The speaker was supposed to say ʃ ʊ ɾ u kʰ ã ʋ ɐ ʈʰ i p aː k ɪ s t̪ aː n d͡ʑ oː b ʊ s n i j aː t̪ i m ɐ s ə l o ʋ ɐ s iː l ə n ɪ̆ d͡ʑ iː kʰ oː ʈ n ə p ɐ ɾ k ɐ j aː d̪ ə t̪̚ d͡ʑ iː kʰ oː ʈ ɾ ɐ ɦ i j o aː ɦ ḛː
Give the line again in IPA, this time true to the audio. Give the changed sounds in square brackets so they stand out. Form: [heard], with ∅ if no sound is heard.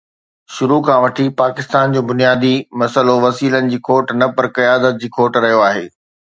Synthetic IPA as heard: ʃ ʊ ɾ u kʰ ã ʋ ɐ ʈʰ i p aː k ɪ s t̪ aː n d͡ʑ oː b ʊ [∅] n i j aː [d̪] i m ɐ s ə l o ʋ ɐ s iː l ə n ɪ̆ d͡ʑ iː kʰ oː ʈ n [ɐ] p ɐ ɾ k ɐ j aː d̪ ə t̪̚ d͡ʑ iː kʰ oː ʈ ɾ ɐ ɦ i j o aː ɦ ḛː